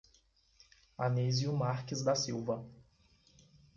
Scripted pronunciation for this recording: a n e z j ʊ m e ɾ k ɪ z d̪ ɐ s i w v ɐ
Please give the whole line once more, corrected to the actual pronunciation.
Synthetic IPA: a n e z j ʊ m a ɾ k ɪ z d̪ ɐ s i w v ɐ